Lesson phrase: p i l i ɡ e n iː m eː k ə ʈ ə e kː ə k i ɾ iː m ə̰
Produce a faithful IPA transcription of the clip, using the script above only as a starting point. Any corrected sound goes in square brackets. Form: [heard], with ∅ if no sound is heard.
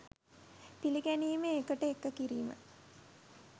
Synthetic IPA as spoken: p i l i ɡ [æ] n iː m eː k ə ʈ ə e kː ə k i ɾ iː m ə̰